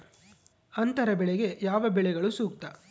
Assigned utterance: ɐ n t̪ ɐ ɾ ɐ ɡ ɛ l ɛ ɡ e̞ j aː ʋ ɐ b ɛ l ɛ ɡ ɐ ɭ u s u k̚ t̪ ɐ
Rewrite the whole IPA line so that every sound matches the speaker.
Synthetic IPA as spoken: ɐ n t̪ ɐ ɾ ɐ b ɛ ɭ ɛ ɡ e̞ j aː ʋ ɐ b ɛ ɭ ɛ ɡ ɐ ɭ u s uː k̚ t̪ ɐ